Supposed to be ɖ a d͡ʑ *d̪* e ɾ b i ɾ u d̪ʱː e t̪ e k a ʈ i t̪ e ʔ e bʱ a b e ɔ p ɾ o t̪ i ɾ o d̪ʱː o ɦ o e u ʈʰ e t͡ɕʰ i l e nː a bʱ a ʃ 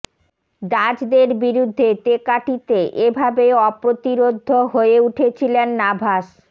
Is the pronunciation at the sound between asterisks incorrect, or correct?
correct